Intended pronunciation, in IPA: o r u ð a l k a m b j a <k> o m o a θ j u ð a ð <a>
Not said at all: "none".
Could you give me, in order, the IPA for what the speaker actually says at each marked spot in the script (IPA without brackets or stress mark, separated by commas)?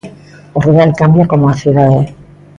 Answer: k, e